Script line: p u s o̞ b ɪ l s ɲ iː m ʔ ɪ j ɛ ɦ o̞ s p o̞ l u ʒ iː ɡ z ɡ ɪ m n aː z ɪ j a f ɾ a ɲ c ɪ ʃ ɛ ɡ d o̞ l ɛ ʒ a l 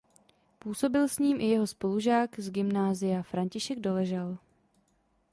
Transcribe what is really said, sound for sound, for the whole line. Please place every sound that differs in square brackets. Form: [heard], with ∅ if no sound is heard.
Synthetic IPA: p [uː] s o̞ b ɪ l s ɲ iː m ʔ ɪ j ɛ ɦ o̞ s p o̞ l u ʒ [aː] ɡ z ɡ ɪ m n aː z ɪ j a f ɾ a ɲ c ɪ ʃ ɛ ɡ d o̞ l ɛ ʒ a l